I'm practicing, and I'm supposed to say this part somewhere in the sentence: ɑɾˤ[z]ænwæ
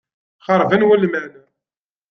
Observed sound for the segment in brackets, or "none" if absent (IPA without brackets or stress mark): v